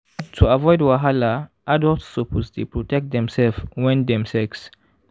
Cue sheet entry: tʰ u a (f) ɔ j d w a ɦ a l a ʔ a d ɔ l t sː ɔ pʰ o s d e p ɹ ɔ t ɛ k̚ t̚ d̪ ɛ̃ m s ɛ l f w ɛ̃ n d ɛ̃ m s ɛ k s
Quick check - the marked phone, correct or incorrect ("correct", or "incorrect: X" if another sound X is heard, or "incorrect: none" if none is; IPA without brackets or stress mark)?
incorrect: v